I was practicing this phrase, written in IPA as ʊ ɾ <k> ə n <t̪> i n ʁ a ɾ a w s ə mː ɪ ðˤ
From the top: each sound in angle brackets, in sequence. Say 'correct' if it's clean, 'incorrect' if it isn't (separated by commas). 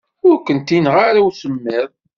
correct, correct